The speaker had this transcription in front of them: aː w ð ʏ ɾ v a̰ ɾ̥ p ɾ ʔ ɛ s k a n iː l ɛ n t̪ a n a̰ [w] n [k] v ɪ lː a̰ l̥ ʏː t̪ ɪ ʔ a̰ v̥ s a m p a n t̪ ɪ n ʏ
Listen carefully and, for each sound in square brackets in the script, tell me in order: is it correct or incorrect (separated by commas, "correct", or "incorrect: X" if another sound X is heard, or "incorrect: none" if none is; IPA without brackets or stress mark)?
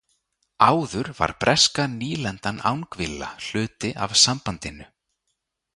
correct, correct